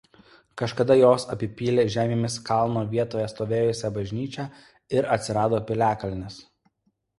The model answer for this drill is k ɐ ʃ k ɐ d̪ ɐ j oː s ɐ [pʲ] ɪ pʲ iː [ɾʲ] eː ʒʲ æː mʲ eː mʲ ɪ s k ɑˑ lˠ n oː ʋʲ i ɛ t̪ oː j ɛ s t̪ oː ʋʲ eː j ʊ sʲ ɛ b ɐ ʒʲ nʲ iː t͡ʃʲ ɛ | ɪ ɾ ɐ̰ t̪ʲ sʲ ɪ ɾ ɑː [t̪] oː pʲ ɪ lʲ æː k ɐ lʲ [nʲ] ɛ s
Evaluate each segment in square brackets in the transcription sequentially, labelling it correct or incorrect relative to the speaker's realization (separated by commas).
correct, incorrect, incorrect, correct